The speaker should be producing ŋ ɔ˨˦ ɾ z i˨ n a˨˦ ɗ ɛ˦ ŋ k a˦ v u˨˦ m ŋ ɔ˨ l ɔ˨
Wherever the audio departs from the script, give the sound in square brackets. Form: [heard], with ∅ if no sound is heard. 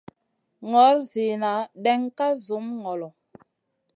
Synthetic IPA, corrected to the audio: ŋ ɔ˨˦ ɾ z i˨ n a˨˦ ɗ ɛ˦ ŋ k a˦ [z] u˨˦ m ŋ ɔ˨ l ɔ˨